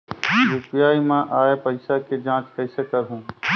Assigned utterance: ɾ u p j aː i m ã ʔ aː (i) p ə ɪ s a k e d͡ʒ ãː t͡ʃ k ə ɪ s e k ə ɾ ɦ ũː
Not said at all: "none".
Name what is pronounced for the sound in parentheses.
e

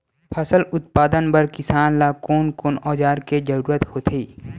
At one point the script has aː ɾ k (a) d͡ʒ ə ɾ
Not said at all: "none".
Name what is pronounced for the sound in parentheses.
e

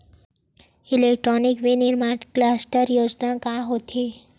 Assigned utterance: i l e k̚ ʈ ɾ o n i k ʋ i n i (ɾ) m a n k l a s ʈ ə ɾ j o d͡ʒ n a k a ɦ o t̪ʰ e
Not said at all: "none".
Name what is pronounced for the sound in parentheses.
ɾ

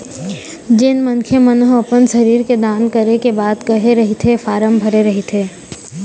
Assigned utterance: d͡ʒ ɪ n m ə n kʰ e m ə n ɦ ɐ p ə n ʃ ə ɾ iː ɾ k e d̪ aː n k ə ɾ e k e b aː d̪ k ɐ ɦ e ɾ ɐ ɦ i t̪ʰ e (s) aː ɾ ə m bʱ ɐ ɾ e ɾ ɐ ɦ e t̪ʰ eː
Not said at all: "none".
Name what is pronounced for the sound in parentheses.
f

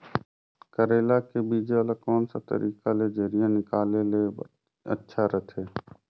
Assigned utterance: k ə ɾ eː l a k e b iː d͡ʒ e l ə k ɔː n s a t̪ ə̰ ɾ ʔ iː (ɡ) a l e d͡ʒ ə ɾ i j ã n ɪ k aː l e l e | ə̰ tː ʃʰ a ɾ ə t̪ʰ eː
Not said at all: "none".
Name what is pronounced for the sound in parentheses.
k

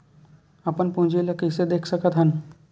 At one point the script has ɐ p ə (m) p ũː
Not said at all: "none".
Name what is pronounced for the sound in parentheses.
n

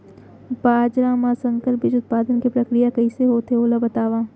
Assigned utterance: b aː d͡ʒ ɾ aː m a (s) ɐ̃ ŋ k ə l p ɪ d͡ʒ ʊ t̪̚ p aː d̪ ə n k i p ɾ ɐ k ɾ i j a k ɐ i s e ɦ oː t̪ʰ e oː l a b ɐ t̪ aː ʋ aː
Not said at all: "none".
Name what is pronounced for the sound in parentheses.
s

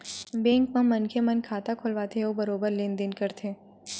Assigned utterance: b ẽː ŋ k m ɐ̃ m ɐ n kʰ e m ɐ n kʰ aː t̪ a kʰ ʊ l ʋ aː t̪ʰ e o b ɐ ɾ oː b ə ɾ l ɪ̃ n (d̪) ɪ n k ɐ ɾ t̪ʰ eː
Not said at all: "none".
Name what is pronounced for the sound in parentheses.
d̪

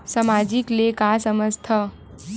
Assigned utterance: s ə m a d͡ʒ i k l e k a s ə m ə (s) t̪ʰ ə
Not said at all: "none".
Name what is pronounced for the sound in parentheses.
s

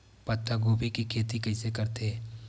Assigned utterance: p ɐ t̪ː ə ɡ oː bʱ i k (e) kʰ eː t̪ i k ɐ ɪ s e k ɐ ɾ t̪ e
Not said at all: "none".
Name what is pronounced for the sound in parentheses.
i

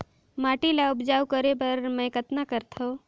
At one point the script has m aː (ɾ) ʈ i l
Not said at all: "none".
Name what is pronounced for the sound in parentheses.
none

